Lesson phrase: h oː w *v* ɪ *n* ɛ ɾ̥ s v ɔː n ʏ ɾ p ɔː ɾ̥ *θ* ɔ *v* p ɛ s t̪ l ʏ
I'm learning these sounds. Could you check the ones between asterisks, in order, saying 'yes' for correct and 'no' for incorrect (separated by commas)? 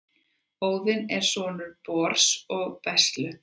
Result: no, yes, no, no